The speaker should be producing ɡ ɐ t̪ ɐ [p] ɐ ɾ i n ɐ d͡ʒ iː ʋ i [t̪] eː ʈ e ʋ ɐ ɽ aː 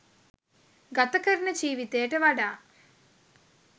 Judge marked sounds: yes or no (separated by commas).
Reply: no, yes